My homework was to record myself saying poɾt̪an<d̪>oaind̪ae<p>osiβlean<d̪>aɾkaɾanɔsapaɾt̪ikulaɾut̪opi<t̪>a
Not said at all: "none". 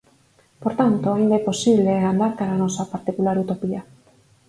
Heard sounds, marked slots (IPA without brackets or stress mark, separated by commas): t̪, p, d̪, none